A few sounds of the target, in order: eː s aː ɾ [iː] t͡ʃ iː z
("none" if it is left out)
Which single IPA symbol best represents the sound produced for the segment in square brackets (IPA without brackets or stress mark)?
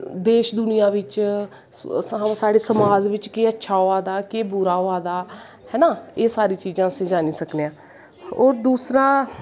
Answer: iː